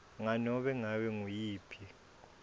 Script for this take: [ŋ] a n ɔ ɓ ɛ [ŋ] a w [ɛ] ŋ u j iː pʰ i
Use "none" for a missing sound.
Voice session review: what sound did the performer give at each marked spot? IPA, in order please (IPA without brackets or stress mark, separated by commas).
ŋ, ŋ, ɛ